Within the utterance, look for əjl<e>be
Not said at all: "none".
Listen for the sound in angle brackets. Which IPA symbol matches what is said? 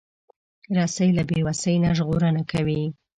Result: a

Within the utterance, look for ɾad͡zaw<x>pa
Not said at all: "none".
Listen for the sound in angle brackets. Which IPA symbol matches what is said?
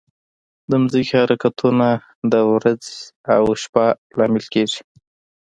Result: ʃ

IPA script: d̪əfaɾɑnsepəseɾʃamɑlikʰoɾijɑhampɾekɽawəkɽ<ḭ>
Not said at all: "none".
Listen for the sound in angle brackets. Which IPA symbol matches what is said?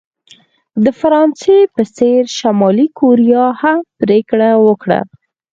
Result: a̰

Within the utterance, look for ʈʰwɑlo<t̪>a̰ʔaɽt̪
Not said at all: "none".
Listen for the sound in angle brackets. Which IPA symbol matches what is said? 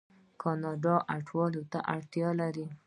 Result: t̪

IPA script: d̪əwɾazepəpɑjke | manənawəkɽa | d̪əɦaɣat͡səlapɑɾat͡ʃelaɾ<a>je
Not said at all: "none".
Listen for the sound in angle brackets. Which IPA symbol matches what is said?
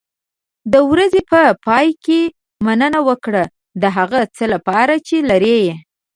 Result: e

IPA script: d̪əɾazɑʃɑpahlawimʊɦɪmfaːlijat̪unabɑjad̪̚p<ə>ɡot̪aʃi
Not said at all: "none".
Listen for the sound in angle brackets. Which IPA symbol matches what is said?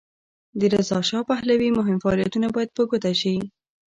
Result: ə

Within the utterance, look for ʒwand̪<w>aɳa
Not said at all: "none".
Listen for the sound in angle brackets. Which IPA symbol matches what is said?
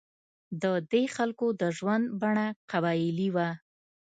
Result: b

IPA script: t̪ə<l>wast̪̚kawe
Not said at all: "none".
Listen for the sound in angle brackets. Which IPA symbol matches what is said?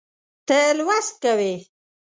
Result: l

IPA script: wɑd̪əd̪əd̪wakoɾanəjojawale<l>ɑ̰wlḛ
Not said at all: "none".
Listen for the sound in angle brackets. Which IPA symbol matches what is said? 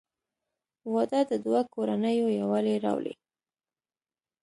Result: ɾ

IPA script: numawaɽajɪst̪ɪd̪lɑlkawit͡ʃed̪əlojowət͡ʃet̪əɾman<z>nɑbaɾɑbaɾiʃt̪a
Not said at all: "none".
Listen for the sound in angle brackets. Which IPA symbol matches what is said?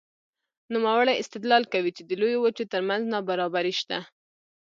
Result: z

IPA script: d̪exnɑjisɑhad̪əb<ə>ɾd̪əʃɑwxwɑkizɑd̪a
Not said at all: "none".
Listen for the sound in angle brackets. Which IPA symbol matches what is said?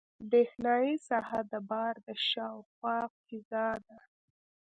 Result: ɑ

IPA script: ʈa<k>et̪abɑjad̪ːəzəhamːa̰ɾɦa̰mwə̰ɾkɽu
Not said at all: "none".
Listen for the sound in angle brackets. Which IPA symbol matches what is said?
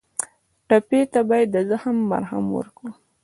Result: p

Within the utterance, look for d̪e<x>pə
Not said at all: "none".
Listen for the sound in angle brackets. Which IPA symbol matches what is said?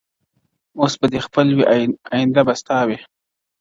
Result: x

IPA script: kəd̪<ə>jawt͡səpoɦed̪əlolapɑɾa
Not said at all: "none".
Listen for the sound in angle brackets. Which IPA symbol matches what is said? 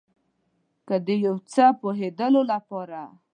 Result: ə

